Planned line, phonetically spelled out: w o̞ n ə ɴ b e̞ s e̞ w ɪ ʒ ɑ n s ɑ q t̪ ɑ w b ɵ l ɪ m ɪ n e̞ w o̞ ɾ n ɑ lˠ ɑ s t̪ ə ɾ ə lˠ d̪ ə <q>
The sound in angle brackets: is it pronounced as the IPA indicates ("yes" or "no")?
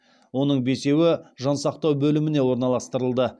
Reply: no